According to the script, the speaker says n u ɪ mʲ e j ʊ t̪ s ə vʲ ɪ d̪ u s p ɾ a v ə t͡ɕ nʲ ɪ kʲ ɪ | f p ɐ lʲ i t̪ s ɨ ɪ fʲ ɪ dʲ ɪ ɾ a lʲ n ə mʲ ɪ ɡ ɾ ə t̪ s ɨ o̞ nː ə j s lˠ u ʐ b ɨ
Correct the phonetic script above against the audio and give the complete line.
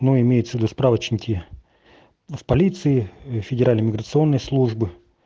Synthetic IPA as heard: n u ɪ mʲ e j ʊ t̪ s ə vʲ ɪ d̪ u s p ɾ a v ə t͡ɕ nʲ ɪ kʲ ɪ | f p ɐ lʲ i t̪ s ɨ ɪ fʲ ɪ dʲ ɪ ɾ a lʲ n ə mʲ ɪ ɡ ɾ ə t̪ s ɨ o̞ nː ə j s lˠ u ʐ b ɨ